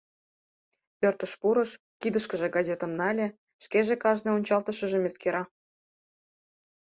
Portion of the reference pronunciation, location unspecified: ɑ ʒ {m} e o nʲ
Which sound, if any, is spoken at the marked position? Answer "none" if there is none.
n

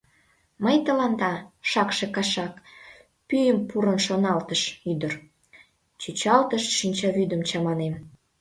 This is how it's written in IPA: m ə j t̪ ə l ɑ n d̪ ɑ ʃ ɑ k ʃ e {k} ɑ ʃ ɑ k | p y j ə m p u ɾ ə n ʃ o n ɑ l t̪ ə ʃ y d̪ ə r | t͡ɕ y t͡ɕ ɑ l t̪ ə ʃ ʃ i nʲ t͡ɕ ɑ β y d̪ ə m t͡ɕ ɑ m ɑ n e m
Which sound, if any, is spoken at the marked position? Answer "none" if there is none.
k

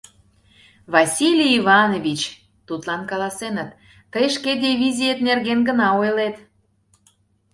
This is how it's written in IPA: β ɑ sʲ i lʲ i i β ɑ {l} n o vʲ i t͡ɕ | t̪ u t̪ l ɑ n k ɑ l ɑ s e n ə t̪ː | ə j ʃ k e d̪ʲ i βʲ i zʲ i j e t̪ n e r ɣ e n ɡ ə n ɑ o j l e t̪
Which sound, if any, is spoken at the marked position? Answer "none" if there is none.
none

